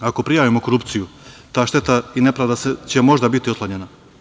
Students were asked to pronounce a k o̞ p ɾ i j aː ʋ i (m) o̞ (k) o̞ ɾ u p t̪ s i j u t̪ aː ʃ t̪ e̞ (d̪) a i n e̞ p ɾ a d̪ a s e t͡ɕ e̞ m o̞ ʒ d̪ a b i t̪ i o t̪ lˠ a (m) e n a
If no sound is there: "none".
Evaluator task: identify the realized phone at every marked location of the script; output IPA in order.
m, k, t̪, ɲ

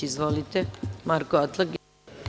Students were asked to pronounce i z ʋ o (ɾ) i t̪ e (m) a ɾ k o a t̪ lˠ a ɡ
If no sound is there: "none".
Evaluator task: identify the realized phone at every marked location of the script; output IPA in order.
l, m

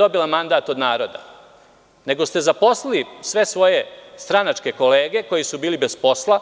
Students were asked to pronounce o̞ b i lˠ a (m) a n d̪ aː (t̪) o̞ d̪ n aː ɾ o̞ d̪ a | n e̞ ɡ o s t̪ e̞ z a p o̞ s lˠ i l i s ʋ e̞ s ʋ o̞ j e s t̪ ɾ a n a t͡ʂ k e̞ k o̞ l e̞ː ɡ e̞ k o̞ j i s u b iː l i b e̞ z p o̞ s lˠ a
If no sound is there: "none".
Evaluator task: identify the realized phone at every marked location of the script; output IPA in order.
m, t̪

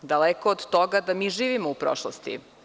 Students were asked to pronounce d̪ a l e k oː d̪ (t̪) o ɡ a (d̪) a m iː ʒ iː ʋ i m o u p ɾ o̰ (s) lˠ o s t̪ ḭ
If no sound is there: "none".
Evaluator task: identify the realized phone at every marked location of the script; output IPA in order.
t̪, d̪, ʃ

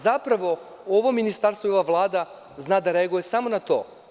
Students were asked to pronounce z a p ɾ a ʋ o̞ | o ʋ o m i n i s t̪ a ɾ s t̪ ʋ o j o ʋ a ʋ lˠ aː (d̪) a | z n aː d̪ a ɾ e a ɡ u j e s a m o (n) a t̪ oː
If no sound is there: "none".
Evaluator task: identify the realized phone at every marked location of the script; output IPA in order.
d̪, n

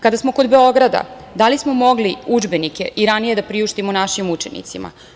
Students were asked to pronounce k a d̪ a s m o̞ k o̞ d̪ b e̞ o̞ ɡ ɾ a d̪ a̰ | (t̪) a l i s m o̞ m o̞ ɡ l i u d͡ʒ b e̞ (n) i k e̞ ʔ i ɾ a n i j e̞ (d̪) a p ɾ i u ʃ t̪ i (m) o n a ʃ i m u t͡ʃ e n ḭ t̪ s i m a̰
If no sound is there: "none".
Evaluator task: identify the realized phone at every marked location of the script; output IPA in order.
d̪, n, d̪, m

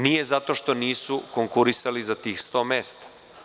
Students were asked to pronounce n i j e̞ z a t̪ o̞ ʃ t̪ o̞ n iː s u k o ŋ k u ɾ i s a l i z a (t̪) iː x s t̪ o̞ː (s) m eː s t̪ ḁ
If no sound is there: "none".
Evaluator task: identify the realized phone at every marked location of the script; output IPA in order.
t̪, none

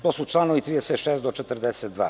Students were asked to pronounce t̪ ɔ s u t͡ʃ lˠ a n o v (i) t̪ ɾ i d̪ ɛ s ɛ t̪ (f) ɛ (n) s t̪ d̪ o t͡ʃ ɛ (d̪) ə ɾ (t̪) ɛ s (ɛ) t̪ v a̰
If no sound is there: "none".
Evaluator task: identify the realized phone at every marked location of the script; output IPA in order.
i, ʃ, none, t̪, d̪, ɛ

